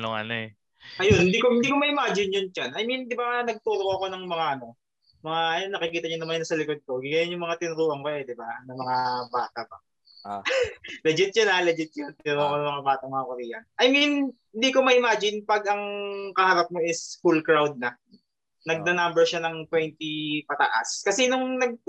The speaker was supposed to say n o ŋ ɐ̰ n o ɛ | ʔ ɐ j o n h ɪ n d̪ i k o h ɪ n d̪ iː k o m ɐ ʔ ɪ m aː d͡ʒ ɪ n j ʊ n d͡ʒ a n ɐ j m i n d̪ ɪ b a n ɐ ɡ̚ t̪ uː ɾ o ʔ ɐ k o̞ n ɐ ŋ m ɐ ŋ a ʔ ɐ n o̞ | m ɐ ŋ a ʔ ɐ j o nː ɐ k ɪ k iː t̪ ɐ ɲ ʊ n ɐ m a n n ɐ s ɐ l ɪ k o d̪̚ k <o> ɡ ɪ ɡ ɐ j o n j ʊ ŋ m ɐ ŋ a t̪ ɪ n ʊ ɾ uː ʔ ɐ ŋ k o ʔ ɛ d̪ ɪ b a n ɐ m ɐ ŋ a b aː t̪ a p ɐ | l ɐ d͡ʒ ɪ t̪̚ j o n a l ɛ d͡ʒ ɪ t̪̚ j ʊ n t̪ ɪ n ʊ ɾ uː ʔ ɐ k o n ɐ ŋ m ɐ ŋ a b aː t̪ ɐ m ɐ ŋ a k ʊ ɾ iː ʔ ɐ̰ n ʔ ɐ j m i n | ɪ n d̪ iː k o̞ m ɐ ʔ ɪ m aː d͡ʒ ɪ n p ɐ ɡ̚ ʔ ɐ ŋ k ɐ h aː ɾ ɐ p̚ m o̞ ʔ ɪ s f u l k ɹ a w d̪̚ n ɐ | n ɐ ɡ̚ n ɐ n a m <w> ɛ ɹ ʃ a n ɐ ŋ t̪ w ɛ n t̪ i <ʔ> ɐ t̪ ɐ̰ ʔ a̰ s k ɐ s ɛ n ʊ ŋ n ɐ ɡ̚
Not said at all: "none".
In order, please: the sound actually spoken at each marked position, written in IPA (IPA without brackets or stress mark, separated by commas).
o, b, p